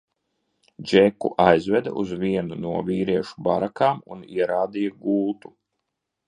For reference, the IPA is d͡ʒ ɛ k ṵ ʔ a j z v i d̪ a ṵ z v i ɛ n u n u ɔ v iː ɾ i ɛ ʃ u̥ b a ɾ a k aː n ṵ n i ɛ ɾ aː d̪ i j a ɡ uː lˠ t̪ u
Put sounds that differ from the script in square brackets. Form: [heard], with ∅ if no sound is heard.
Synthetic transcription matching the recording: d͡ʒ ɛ k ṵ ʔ a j z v [ɛ] d̪ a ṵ z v i ɛ n u n u ɔ v iː ɾ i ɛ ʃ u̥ b a ɾ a k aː [m] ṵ n i ɛ ɾ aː d̪ i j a ɡ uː lˠ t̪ u